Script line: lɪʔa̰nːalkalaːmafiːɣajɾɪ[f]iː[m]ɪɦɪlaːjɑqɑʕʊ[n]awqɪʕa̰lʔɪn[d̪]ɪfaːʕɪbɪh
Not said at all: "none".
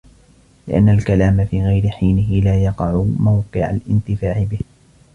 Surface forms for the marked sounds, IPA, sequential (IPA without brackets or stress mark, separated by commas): ħ, n, m, t̪